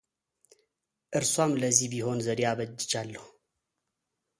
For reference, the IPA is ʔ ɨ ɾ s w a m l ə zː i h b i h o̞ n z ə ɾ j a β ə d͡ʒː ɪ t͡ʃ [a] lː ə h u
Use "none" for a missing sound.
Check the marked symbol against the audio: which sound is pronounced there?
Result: a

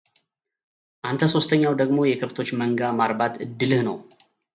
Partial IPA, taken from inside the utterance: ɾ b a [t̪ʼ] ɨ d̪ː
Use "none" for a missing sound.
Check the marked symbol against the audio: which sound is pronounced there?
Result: t̪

